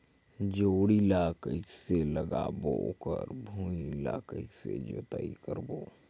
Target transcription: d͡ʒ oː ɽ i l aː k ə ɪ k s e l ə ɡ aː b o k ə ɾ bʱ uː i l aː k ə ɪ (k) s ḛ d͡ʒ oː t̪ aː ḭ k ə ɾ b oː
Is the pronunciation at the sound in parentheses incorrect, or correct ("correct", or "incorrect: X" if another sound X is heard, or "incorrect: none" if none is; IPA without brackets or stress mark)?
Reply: correct